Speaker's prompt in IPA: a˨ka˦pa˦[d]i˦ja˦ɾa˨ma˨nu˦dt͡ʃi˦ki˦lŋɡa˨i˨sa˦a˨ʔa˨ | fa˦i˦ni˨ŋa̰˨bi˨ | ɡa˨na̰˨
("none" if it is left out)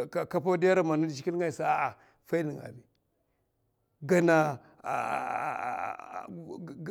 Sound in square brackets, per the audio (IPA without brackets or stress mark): d